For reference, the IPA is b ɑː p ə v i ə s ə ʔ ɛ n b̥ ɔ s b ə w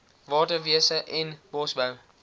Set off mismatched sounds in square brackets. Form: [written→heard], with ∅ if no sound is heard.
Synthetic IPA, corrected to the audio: [b→v] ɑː [p→t] ə v i ə s ə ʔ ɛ n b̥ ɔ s b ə w